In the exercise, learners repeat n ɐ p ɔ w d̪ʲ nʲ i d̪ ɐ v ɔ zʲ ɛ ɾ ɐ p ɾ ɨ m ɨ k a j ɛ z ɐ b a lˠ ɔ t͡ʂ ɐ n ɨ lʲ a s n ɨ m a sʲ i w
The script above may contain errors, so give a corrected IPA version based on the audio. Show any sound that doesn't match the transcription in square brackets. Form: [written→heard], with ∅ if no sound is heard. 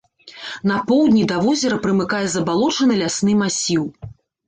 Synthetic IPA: n ɐ p ɔ w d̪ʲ nʲ i d̪ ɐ v ɔ zʲ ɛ ɾ ɐ p ɾ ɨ m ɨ k a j ɛ z ɐ b a lˠ ɔ t͡ʂ ɐ n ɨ lʲ a s n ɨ m a sʲ i w